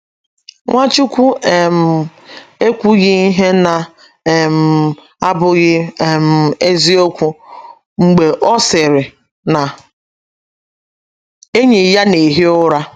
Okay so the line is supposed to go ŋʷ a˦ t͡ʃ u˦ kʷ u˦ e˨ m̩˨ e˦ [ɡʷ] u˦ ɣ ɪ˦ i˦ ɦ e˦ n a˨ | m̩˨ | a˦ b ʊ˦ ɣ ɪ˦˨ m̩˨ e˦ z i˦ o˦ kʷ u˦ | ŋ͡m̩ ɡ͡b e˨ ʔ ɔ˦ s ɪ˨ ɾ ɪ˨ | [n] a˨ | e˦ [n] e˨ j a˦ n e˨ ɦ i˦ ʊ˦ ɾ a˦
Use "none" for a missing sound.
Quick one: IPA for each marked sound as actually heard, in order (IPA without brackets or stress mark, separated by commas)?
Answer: kʷ, n, ɲ